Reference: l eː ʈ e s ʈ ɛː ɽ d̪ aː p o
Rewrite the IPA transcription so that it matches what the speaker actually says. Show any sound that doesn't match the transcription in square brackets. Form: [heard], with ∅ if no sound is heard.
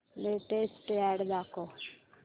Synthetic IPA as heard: l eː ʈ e s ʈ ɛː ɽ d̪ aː [k] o